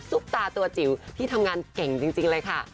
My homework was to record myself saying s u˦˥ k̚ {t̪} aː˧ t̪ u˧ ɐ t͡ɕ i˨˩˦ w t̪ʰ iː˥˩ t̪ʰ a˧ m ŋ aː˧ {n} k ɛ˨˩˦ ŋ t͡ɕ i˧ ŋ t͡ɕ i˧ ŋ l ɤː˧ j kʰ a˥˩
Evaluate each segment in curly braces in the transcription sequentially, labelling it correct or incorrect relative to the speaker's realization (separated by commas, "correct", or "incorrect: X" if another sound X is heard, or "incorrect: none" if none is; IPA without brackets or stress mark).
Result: correct, correct